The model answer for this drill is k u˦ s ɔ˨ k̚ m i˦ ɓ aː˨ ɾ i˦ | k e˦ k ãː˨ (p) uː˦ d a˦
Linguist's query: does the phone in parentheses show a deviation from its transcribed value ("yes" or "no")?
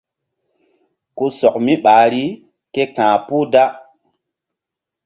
no